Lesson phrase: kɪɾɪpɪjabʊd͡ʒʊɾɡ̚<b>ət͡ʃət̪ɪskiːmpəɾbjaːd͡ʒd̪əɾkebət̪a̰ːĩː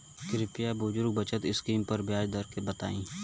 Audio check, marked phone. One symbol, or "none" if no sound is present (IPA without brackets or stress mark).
b